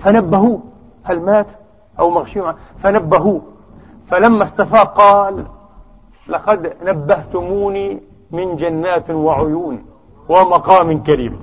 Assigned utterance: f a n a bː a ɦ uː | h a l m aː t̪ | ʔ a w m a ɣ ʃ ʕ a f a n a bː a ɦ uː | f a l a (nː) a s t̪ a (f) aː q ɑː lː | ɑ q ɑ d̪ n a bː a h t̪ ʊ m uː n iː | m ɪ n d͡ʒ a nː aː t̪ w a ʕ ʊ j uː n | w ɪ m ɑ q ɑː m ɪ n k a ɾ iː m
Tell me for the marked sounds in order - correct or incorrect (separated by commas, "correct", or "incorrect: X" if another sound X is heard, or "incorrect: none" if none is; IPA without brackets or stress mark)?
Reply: incorrect: mː, correct